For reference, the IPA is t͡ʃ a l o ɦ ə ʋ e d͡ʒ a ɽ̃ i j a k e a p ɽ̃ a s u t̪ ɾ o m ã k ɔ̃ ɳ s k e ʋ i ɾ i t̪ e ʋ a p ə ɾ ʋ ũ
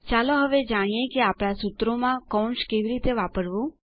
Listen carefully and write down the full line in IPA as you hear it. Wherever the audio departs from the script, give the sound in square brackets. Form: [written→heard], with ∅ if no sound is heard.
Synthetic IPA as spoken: t͡ʃ a l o ɦ ə ʋ e d͡ʒ a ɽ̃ i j [a→e] k e a p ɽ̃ a s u t̪ ɾ o m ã k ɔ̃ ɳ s k e ʋ i ɾ i t̪ e ʋ a p ə ɾ ʋ ũ